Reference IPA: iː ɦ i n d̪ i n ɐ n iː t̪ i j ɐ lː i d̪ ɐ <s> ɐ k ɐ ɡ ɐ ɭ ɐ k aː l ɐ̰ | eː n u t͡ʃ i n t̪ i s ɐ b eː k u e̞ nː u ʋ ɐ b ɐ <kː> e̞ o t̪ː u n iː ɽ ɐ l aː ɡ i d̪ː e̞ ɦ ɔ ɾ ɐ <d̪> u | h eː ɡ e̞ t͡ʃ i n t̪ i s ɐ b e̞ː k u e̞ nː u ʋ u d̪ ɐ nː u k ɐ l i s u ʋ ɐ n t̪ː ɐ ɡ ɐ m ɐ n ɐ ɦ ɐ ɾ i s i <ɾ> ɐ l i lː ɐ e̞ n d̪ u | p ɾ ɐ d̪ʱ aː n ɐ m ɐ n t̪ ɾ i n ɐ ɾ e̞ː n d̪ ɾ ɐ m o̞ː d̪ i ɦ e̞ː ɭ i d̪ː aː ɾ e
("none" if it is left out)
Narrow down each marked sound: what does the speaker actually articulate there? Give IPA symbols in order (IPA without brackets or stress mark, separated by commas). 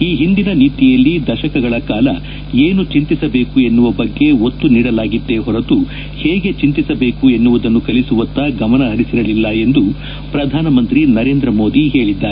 ʃ, ɡː, t̪, ɾ